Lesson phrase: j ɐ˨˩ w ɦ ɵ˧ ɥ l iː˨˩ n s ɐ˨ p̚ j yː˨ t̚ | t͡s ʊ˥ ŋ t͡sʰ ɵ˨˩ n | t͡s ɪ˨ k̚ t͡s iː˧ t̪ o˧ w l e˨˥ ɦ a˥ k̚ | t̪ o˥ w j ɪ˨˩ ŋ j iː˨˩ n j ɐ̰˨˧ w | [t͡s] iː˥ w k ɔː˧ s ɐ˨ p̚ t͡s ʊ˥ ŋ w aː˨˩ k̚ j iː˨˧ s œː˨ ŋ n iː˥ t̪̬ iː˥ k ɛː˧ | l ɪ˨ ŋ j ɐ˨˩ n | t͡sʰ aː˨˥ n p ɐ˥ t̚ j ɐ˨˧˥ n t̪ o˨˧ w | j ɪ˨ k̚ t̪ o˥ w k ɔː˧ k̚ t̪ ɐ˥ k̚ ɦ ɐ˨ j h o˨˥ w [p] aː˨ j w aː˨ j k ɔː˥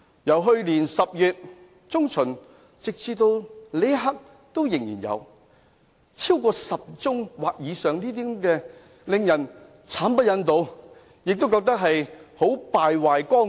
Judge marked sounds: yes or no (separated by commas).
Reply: no, yes